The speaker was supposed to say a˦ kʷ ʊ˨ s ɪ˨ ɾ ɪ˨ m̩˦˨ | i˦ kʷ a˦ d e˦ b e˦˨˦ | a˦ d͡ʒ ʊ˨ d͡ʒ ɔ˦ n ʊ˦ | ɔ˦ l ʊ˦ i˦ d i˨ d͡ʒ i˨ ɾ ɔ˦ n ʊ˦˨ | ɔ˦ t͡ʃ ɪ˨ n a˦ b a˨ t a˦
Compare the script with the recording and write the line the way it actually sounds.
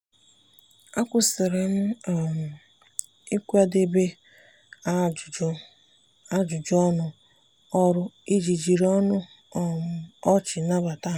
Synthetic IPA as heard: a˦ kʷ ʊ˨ s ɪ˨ ɾ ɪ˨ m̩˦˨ | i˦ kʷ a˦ d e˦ b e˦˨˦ | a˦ d͡ʒ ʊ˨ d͡ʒ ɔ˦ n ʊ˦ | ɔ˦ ɾ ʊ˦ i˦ d͡ʒ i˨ d͡ʒ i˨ ɾ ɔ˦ n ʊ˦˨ | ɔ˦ t͡ʃ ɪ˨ n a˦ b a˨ t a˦